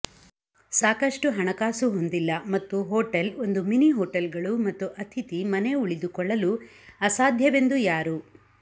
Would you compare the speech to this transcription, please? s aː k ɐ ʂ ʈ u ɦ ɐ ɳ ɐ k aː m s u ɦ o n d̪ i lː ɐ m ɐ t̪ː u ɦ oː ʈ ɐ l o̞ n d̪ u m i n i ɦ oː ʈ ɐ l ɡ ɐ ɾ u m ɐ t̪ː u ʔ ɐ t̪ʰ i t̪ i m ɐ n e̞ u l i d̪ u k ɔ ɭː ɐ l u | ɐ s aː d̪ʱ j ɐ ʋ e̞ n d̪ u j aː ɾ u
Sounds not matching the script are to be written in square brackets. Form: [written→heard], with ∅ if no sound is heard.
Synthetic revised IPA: s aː k ɐ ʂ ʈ u ɦ ɐ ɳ ɐ k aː [m→∅] s u ɦ o n d̪ i lː ɐ m ɐ t̪ː u ɦ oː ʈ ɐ l o̞ n d̪ u m i n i ɦ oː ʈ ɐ l ɡ ɐ [ɾ→ɭ] u m ɐ t̪ː u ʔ ɐ t̪ʰ i t̪ i m ɐ n e̞ u [l→ɭ] i d̪ u k ɔ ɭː ɐ l u | ɐ s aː d̪ʱ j ɐ ʋ e̞ n d̪ u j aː ɾ u